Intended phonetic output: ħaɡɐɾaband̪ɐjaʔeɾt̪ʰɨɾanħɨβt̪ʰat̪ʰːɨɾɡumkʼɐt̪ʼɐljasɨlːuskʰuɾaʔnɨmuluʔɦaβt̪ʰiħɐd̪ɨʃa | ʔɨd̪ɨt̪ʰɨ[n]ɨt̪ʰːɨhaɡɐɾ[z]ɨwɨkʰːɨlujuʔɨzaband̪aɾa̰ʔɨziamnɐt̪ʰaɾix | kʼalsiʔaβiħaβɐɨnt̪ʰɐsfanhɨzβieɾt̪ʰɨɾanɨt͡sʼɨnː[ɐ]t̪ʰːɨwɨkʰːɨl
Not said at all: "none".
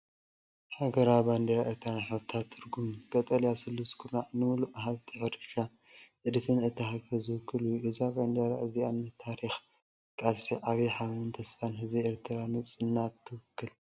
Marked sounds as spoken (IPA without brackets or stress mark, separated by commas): n, z, a